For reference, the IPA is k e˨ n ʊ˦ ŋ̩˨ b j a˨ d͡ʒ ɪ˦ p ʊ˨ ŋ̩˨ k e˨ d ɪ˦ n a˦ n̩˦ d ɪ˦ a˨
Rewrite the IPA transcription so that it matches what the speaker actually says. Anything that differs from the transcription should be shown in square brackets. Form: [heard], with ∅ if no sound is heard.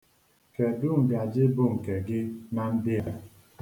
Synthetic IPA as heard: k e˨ [d] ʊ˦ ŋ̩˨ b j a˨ d͡ʒ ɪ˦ [b] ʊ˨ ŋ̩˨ k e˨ [ɡ] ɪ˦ n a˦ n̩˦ d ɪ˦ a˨

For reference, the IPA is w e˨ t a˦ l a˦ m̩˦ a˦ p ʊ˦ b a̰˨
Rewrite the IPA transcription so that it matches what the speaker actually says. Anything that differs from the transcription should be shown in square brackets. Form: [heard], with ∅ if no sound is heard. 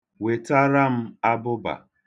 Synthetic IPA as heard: w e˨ t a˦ [ɾ] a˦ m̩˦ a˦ [b] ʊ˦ b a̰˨

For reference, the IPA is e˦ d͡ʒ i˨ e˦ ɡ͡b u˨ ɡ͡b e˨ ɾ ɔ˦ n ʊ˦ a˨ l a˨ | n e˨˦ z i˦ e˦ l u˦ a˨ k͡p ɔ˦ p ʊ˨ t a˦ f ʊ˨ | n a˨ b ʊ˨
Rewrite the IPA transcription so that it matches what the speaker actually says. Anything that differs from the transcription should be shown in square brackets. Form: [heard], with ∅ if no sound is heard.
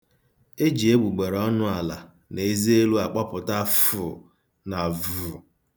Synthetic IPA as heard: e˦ d͡ʒ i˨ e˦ ɡ͡b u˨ ɡ͡b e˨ ɾ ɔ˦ n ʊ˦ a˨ l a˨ | n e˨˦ z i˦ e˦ l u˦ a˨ k͡p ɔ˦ p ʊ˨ t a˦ f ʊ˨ | n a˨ [v] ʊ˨

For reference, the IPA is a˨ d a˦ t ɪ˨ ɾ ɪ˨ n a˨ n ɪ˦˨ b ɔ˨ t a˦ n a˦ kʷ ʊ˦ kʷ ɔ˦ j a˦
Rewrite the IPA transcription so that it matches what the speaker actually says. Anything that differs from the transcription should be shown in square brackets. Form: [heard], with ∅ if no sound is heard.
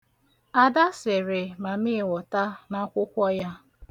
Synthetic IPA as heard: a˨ d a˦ [s] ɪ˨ ɾ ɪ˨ [m] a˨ [m] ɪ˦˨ [w] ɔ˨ t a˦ n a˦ kʷ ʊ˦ kʷ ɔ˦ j a˦

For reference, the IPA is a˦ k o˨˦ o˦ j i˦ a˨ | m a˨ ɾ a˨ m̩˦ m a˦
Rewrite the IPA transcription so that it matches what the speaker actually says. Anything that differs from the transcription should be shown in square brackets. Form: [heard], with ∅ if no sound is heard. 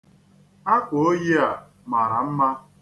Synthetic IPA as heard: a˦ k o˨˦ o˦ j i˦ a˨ | m a˨ ɾ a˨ m̩˦ m a˦

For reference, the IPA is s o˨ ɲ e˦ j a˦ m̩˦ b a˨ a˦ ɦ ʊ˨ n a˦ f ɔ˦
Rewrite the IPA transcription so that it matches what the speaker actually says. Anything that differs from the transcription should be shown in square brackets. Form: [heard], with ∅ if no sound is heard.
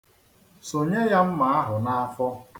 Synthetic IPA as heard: s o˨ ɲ e˦ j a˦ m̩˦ [m] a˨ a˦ ɦ ʊ˨ n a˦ f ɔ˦

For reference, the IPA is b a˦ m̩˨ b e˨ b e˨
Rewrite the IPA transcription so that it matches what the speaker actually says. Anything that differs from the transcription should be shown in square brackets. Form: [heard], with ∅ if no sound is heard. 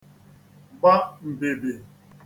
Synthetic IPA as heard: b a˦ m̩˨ b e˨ b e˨

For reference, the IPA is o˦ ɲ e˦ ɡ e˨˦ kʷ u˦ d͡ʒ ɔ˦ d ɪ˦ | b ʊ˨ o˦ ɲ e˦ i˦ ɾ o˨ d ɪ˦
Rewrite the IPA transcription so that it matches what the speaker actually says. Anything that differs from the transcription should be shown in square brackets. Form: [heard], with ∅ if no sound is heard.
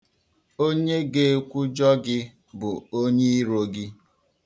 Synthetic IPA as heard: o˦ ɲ e˦ ɡ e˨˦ kʷ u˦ d͡ʒ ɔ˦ [ɡ] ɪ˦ | b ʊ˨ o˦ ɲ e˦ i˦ ɾ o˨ [ɡ] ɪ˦

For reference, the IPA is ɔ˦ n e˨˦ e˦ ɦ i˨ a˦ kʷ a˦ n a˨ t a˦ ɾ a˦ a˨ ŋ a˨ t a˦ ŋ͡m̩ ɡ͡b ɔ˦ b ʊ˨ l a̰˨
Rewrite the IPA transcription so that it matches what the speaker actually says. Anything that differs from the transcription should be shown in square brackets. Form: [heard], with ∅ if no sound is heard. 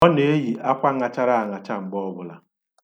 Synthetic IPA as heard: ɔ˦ n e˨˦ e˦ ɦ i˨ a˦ kʷ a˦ [ŋ] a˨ [t͡ʃ] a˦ ɾ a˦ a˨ ŋ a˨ [t͡ʃ] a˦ ŋ͡m̩ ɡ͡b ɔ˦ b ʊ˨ l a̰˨

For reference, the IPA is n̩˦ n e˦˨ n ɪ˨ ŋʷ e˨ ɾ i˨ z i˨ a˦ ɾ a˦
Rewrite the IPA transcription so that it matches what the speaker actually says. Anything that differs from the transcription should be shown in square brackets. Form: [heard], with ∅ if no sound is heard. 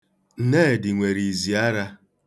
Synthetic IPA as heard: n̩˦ n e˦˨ [d] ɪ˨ ŋʷ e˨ ɾ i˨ z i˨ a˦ ɾ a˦

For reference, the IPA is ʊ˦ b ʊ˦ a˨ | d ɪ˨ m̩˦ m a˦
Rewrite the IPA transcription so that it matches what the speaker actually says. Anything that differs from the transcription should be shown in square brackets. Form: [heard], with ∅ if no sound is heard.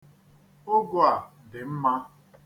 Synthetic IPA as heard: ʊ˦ [ɡ] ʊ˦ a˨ | d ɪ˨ m̩˦ m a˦

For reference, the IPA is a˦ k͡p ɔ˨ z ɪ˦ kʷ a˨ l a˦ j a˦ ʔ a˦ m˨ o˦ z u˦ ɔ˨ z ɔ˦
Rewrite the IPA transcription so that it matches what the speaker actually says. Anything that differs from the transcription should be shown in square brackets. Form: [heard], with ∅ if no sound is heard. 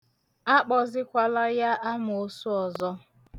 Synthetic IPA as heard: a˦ k͡p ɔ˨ z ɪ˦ kʷ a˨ l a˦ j a˦ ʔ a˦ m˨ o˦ [s] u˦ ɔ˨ z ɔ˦

